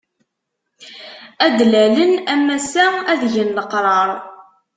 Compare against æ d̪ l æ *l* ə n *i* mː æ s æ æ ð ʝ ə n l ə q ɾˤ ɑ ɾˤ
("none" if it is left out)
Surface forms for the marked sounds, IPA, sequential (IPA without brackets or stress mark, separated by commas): l, æ